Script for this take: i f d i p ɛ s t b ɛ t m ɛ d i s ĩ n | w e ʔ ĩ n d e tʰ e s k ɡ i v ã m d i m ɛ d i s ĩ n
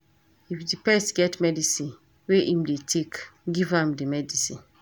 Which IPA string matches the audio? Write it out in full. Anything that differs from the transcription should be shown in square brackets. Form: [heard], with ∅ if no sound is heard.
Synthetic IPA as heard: i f d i p ɛ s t [ɡ] ɛ t m ɛ d i s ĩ n | w e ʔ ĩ [m] d e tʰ e [∅] k ɡ i v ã m d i m ɛ d i s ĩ n